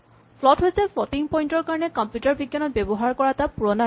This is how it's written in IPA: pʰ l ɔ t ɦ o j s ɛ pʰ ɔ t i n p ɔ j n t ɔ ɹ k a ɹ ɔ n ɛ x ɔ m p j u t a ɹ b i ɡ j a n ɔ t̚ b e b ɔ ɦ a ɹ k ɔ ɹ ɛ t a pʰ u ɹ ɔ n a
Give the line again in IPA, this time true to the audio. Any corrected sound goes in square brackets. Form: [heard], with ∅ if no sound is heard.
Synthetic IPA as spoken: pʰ l ɔ t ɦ o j s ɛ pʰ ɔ t i [ŋ] p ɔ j n t ɔ ɹ k a ɹ ɔ n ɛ [k] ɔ m p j u t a ɹ b i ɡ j a n ɔ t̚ b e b ɔ ɦ a ɹ k ɔ ɹ [a] t a [p] u ɹ ɔ n a